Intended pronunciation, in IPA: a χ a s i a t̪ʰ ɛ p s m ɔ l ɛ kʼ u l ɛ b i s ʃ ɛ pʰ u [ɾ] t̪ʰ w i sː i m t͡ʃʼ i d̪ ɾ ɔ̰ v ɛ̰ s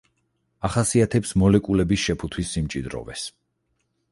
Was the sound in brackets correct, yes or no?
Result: no